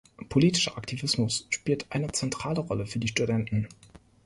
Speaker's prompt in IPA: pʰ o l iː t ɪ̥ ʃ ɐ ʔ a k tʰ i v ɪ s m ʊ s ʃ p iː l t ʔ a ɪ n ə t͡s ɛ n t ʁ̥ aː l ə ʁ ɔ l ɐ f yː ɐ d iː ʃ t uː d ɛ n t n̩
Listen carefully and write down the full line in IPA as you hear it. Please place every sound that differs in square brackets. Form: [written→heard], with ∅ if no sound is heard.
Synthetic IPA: pʰ o l iː t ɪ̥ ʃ ɐ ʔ a k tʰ i v ɪ s m ʊ s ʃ p iː l t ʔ a ɪ n ə t͡s ɛ n t ʁ̥ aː l ə ʁ ɔ l [ɐ→ə] f yː ɐ d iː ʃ t [uː→u] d ɛ n t n̩

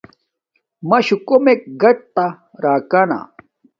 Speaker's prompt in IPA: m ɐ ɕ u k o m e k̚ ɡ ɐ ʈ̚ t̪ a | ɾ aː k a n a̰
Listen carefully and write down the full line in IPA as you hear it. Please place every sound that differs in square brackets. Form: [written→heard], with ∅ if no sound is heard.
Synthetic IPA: m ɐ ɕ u k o m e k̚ ɡ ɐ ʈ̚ t̪ a | ɾ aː k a n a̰

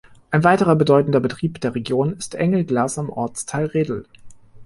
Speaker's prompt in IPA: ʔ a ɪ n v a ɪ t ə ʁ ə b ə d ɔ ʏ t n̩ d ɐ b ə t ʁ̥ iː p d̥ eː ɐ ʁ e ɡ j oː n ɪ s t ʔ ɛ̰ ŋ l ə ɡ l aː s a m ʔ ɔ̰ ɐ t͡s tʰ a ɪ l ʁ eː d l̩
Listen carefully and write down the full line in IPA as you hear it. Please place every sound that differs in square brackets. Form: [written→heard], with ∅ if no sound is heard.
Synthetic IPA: ʔ a ɪ n v a ɪ t ə ʁ [ə→ɐ] b ə d ɔ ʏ t n̩ d ɐ b ə t ʁ̥ iː p d̥ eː ɐ ʁ e ɡ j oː n ɪ s t ʔ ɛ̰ ŋ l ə ɡ l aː s a m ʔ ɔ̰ ɐ t͡s tʰ a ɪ l ʁ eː d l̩

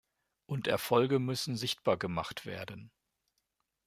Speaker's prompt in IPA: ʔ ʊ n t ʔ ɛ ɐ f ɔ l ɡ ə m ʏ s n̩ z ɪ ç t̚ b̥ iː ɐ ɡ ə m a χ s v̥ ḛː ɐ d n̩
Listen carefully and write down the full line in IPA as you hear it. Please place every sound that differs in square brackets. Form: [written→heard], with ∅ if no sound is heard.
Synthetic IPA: ʔ ʊ n t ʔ ɛ ɐ f ɔ l ɡ ə m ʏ s n̩ z ɪ ç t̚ b̥ [iː→aː] ɐ ɡ ə m a χ [s→t] v̥ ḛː ɐ d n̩

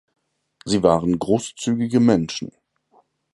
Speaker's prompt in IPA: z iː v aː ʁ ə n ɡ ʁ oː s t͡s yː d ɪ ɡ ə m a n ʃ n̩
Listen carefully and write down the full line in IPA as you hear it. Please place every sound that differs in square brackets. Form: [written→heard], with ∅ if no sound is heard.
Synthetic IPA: z iː v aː ʁ ə n ɡ ʁ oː s t͡s yː [d→ɡ] ɪ ɡ ə m [a→ɛ] n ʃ n̩

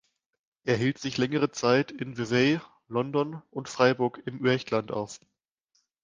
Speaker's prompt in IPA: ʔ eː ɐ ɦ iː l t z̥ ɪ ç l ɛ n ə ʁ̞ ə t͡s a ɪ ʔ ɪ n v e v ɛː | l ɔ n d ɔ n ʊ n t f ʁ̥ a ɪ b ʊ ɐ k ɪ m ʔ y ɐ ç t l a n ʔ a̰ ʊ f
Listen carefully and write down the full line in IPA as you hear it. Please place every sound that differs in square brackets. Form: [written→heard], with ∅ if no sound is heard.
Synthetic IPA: ʔ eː ɐ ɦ iː l t z̥ ɪ ç l ɛ [n→ŋ] ə ʁ̞ ə t͡s a ɪ [ʔ→t] ɪ n v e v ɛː | l ɔ n d ɔ n ʊ n t f ʁ̥ a ɪ b ʊ ɐ k ɪ m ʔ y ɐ ç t l a n [ʔ→t] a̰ ʊ f

